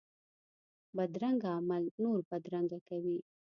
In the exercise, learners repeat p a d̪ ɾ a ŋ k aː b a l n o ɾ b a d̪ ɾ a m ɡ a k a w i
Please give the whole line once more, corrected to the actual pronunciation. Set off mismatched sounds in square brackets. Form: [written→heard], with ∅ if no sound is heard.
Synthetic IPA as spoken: [p→b] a d̪ ɾ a ŋ [k→ɡ] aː [b→m] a l n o ɾ b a d̪ ɾ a [m→ŋ] ɡ a k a w i